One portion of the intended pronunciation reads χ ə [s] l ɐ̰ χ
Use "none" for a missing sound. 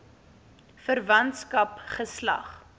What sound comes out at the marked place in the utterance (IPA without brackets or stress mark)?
s